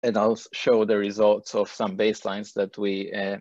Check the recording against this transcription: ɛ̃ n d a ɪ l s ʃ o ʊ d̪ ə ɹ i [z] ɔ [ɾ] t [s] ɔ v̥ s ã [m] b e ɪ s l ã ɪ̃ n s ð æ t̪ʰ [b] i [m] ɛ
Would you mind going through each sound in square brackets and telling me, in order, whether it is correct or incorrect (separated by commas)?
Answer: correct, incorrect, correct, correct, incorrect, incorrect